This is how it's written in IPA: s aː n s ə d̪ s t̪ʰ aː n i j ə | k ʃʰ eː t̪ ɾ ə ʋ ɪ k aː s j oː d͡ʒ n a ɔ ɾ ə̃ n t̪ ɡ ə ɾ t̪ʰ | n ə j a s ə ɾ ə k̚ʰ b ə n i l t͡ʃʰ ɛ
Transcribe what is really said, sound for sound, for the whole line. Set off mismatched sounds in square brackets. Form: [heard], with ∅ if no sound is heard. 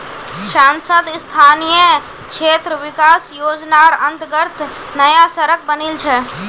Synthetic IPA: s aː n s ə d̪ s t̪ʰ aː n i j ə | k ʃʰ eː t̪ ɾ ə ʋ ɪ k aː s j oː d͡ʒ n a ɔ ɾ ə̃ n t̪ ɡ ə ɾ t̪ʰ | n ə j a s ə ɾ ə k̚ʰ b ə n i l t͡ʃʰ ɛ